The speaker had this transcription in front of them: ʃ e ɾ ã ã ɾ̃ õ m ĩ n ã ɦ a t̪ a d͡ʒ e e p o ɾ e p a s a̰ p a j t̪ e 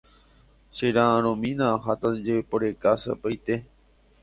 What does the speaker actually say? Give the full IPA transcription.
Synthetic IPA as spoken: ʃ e ɾ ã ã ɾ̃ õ m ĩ n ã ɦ a t̪ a d͡ʒ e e p o ɾ e k a s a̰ p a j t̪ e